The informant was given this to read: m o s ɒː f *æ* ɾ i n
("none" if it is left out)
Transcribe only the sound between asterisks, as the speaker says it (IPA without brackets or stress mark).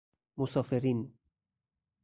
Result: e